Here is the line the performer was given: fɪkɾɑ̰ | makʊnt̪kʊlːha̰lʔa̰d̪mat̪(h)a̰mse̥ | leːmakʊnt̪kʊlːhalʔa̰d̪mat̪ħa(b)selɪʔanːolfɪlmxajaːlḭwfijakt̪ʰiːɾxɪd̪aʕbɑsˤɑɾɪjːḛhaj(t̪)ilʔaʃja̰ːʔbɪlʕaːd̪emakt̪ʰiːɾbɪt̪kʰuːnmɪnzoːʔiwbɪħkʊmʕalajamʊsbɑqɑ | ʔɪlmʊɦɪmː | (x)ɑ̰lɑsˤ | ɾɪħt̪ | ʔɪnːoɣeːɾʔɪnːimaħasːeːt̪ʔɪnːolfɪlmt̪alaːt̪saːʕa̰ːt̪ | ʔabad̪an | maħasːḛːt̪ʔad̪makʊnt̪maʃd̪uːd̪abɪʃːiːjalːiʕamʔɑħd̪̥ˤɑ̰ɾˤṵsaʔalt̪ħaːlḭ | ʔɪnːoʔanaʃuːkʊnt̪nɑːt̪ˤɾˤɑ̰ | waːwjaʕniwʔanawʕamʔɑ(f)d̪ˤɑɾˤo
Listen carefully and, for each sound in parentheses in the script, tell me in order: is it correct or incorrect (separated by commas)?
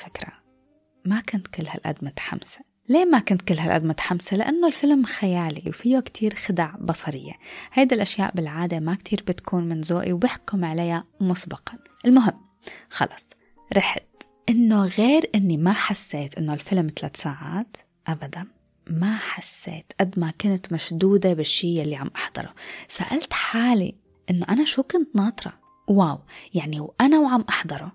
incorrect, incorrect, incorrect, correct, incorrect